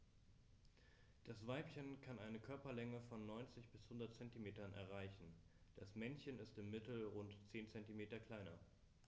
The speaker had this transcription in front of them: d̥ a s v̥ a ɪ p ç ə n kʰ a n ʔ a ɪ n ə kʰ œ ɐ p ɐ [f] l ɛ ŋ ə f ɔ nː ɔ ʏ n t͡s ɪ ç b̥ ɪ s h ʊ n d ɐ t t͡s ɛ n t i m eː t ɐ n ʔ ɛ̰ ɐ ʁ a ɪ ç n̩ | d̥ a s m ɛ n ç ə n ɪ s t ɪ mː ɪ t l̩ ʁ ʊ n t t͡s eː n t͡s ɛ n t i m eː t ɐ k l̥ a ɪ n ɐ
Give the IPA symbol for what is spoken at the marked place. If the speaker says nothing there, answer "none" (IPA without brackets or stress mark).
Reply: none